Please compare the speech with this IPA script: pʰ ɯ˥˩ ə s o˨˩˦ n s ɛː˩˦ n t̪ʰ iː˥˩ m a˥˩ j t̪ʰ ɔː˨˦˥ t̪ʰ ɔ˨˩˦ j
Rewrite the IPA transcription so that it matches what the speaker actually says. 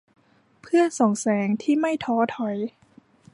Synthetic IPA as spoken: pʰ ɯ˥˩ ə s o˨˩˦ ŋ s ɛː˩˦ ŋ t̪ʰ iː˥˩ m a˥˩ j t̪ʰ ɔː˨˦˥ t̪ʰ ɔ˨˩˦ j